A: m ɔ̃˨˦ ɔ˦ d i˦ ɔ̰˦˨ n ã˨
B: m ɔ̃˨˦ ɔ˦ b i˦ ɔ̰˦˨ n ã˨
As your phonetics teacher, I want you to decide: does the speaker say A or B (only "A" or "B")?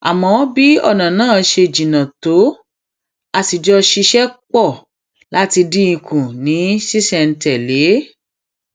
B